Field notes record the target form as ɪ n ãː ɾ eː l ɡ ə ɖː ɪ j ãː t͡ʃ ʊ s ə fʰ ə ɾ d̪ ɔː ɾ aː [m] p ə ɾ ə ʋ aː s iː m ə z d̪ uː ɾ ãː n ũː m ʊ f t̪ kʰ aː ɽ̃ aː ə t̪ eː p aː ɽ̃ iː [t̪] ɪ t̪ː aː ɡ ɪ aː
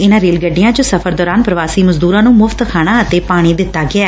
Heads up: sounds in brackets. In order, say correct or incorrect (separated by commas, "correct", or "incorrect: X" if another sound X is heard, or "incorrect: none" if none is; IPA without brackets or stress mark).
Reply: incorrect: n, incorrect: d̪